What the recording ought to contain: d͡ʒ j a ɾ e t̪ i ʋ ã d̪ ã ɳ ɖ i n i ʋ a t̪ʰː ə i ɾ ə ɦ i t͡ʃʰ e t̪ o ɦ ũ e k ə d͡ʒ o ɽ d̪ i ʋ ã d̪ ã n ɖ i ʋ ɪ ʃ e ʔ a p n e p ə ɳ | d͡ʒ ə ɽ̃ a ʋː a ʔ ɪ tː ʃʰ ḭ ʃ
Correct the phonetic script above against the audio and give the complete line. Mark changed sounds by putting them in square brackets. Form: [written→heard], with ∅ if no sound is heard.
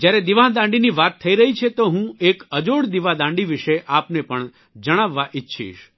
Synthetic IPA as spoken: d͡ʒ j a ɾ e [t̪→d̪] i ʋ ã d̪ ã ɳ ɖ i n i ʋ a t̪ʰː ə i ɾ ə ɦ i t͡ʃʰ e t̪ o ɦ ũ e k ə d͡ʒ o ɽ d̪ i ʋ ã d̪ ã [n→ɳ] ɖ i ʋ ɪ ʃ e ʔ a p n e p ə ɳ | d͡ʒ ə ɽ̃ a ʋː a ʔ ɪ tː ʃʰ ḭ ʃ